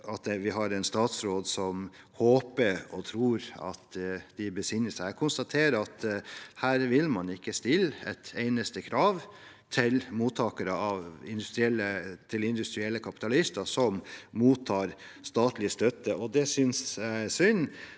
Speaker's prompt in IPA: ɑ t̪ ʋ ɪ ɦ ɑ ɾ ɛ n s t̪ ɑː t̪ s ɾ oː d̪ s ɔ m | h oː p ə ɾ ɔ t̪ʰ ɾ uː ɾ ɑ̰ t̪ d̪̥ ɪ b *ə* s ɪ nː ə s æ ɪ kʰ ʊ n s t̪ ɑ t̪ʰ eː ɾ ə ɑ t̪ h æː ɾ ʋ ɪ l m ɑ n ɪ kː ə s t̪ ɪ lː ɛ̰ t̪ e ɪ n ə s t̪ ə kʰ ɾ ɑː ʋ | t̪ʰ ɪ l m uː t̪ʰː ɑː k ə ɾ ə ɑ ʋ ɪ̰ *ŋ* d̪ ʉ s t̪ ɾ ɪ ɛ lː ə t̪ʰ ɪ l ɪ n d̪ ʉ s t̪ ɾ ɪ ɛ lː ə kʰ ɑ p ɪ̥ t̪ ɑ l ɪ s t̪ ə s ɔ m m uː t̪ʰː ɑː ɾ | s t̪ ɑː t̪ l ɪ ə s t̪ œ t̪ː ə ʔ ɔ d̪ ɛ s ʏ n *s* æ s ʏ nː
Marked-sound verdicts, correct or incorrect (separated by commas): correct, incorrect, correct